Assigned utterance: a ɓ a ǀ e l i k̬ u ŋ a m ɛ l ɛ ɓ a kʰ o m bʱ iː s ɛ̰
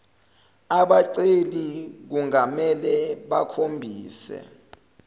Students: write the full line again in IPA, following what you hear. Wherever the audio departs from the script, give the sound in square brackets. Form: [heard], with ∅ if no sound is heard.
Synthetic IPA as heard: a ɓ a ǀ e l i k̬ u ŋ a m ɛ l ɛ ɓ a kʰ o m bʱ iː s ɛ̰